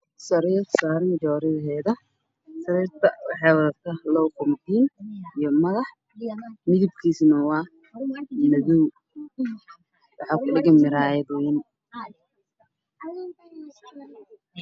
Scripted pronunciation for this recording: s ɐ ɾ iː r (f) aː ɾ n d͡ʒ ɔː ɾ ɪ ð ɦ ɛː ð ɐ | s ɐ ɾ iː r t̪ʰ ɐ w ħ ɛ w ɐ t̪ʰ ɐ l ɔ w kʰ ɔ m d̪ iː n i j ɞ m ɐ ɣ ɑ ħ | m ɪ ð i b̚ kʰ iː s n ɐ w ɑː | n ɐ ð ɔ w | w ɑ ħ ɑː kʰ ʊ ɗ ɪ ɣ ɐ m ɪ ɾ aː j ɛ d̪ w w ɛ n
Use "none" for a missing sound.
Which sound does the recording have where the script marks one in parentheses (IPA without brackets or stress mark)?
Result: s